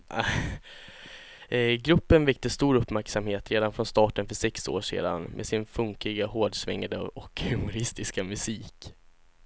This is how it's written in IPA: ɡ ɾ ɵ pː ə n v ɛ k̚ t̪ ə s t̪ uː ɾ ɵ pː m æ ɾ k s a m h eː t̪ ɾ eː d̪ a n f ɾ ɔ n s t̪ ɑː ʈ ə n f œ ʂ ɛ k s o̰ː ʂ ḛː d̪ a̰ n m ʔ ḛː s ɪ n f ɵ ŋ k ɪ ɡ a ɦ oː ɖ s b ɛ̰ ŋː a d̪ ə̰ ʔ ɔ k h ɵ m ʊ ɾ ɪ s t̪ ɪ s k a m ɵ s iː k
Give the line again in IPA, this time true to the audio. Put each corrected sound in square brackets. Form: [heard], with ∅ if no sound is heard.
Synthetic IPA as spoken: ɡ ɾ ɵ pː ə n v ɛ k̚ t̪ ə s t̪ uː ɾ ɵ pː m æ ɾ k s a m h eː t̪ ɾ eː d̪ a n f ɾ ɔ n s t̪ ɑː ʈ ə n f œ ʂ ɛ k s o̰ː ʂ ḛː d̪ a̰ n m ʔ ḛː s ɪ n f ɵ ŋ k ɪ ɡ a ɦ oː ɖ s [v] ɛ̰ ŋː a d̪ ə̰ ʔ ɔ k h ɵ m ʊ ɾ ɪ s t̪ ɪ s k a m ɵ s iː k